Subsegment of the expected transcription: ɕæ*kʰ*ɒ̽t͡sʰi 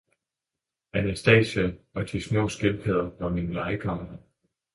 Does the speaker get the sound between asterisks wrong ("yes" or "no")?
yes